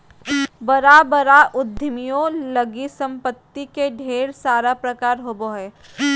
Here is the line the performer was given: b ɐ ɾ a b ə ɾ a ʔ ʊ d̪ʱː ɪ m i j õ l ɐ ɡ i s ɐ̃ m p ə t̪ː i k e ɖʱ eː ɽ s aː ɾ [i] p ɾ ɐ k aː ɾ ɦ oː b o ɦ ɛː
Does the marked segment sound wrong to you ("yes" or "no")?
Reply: yes